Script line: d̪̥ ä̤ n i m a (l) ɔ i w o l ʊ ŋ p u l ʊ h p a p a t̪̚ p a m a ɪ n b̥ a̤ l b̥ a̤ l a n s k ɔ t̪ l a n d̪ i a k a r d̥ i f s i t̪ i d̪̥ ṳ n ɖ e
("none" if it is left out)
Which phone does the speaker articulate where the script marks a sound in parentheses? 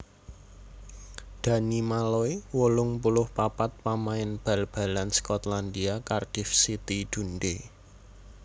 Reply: l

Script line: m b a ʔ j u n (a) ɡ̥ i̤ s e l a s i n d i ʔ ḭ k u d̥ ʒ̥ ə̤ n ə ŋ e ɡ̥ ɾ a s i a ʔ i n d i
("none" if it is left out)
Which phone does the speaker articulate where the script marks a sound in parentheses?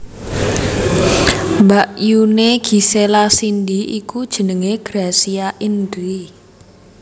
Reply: e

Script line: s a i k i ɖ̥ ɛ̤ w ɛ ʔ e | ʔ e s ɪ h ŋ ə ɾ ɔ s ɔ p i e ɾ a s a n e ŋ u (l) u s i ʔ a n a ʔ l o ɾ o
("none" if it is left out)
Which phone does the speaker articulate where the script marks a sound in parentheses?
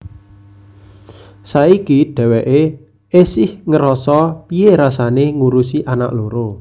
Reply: ɾ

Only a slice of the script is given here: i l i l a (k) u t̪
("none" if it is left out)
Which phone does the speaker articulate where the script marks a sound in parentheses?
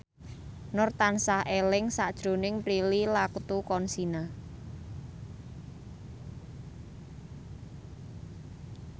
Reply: k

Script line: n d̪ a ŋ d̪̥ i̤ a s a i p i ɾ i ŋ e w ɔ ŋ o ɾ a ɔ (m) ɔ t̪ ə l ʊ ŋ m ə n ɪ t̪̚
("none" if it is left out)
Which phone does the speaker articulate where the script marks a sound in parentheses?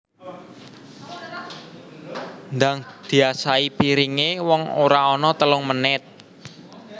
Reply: n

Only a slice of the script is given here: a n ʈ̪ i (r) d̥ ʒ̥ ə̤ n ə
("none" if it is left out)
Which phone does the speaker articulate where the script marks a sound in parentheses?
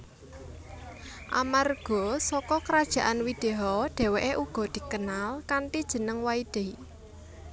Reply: none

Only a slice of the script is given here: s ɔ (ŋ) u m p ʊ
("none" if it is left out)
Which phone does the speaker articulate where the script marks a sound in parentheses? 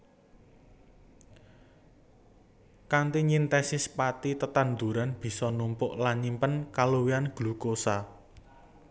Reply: n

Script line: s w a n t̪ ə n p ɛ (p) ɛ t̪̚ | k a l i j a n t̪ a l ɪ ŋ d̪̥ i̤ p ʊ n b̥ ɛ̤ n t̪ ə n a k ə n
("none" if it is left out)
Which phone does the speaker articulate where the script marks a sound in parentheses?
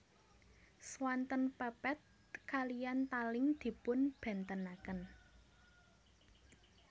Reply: p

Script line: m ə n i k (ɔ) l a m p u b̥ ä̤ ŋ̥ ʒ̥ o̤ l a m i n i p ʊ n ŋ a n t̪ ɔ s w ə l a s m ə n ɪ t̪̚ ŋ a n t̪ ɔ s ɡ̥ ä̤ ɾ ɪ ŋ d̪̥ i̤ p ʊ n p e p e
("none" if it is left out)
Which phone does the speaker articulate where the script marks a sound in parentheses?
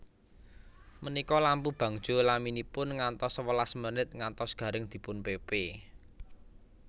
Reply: ɔ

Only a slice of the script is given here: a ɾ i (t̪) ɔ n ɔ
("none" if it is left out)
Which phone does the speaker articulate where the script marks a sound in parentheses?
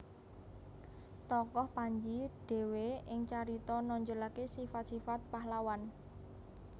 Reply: t̪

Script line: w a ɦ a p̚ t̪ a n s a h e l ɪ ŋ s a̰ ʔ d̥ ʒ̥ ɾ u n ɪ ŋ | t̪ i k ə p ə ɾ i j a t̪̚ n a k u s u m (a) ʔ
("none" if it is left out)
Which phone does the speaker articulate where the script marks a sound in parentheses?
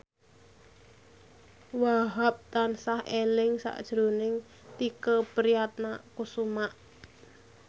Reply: a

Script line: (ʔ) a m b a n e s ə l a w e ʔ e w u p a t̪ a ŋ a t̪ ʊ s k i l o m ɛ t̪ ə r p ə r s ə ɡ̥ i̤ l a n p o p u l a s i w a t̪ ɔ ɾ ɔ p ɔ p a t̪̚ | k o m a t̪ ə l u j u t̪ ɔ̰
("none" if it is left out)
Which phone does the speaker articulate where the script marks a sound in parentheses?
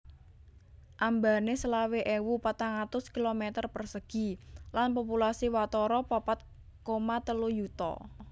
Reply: ʔ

